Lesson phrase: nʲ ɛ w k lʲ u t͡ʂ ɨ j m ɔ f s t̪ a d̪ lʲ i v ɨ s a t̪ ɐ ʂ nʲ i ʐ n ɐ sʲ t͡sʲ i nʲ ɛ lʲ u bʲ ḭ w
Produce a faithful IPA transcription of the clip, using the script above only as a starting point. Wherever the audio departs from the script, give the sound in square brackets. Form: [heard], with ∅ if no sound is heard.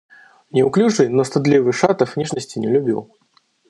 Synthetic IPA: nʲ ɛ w k lʲ u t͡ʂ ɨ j [n] ɔ [∅] s t̪ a d̪ lʲ i v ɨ [ʂ] a t̪ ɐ [f] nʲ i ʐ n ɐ sʲ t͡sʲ i nʲ ɛ lʲ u bʲ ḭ w